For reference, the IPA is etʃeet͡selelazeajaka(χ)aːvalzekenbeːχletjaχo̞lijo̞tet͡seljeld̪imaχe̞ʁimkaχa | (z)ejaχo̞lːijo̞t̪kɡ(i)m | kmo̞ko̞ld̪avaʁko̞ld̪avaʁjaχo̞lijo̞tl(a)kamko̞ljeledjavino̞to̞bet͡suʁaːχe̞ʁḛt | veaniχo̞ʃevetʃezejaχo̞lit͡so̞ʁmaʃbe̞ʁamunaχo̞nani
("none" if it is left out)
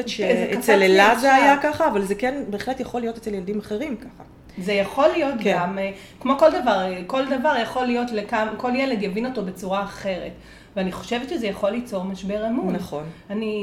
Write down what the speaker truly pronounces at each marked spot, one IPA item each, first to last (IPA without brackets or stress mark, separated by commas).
χ, z, a, e